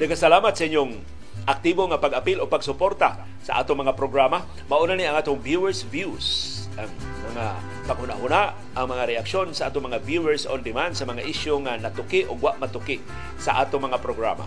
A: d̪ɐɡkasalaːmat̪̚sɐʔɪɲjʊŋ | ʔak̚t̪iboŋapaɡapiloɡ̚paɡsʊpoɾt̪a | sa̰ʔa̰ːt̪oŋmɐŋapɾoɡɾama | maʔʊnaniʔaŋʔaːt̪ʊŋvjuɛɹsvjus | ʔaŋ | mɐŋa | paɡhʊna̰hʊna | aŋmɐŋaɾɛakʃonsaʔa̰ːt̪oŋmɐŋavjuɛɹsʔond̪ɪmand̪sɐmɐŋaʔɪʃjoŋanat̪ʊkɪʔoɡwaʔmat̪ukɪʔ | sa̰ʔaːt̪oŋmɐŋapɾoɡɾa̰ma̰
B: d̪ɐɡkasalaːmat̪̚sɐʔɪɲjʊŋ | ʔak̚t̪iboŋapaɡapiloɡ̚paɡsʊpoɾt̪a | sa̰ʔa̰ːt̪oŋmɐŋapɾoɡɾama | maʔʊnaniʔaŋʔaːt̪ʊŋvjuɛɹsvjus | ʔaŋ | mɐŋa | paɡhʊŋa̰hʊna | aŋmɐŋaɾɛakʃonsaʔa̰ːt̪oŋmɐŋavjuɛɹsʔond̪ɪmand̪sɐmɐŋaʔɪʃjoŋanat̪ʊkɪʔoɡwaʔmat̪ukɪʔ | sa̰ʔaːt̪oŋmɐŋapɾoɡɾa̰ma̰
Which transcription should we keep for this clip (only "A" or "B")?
A